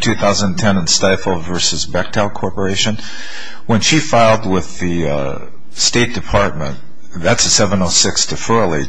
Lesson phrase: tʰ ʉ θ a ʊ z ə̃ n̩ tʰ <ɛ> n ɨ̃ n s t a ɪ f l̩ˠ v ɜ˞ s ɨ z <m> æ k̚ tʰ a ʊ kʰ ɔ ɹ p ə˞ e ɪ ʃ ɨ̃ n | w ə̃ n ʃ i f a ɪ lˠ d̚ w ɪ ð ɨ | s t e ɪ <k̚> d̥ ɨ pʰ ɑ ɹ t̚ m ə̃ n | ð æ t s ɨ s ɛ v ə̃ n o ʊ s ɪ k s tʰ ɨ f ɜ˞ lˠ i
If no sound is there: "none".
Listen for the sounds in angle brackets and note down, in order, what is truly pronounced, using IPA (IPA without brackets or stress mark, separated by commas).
ɛ̃, b, t̚